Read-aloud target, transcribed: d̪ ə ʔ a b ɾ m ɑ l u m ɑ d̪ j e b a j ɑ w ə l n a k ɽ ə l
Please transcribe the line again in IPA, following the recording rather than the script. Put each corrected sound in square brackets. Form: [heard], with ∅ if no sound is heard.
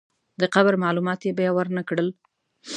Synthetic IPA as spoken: d̪ ə [q] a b ɾ m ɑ l u m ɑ [t̪] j e b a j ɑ w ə [ɾ] n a k ɽ ə l